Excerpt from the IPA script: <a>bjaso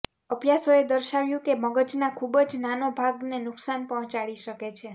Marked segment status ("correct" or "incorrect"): incorrect